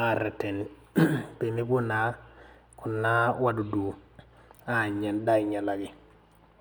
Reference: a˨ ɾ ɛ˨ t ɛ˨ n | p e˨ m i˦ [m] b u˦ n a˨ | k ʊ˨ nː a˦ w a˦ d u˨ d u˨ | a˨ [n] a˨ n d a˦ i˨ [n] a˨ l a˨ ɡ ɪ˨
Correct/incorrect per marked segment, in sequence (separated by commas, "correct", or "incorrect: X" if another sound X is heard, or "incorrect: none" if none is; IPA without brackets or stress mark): incorrect: none, incorrect: ɲ, incorrect: ɲ